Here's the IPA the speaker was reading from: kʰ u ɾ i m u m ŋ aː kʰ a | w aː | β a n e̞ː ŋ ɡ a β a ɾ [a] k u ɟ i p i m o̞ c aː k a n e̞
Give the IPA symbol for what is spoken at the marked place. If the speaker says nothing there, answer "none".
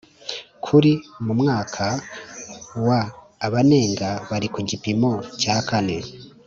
i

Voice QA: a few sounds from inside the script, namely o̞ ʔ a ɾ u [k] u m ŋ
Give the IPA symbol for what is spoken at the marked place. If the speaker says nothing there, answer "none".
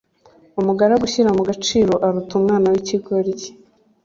t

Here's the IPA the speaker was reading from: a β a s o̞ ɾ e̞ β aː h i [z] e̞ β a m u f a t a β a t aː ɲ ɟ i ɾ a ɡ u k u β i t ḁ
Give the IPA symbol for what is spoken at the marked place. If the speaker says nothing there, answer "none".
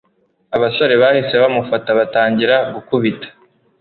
s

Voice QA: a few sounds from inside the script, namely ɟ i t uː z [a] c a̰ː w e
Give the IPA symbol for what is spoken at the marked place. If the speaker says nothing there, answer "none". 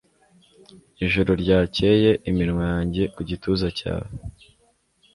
a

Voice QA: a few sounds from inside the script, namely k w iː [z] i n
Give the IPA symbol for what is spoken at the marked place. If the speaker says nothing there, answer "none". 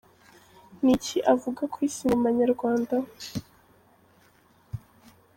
s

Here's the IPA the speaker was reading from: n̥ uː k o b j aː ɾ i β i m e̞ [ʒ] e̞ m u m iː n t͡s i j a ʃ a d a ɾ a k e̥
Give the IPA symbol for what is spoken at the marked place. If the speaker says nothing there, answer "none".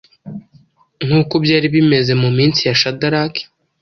z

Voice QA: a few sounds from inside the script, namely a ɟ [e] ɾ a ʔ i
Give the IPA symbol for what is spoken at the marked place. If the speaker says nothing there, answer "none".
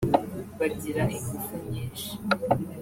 i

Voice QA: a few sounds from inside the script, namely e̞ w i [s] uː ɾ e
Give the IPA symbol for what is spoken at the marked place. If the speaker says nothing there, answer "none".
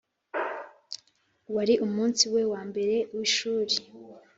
ʃ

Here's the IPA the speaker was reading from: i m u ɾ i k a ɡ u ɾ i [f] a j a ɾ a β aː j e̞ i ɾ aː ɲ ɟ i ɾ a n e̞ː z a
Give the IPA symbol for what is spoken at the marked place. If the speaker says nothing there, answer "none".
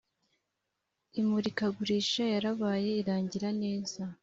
ʃ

